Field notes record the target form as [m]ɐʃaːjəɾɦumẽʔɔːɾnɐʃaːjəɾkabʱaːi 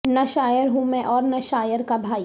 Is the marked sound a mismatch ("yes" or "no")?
yes